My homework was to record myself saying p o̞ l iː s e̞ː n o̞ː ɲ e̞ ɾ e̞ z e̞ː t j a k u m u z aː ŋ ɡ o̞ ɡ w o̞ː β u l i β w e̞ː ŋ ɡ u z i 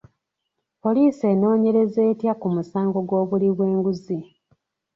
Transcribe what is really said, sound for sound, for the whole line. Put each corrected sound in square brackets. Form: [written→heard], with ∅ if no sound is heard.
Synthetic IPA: p o̞ l iː s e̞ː n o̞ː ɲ e̞ ɾ e̞ z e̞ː t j a k u m u [z→s] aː ŋ ɡ o̞ ɡ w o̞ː β u l i β w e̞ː ŋ ɡ u z i